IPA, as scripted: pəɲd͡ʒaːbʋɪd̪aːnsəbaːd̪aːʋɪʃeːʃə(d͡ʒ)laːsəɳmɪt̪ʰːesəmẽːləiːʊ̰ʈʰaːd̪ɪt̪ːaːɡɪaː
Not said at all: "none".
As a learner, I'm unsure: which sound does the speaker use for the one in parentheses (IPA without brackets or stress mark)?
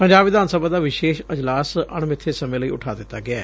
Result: d͡ʒ